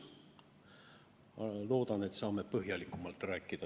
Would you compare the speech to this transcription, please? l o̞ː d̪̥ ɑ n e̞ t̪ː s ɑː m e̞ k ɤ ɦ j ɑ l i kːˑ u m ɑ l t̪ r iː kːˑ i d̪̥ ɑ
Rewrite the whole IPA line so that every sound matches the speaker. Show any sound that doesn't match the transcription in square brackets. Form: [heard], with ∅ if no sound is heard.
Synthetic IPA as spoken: l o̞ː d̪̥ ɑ n e̞ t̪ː s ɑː m e̞ [p] ɤ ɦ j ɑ l i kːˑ u m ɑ l t̪ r [æː] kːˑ i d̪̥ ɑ